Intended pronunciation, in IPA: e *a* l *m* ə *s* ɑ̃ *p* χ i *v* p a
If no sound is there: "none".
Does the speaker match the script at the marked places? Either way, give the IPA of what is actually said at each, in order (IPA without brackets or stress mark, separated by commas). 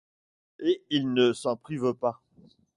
i, n, s, p, v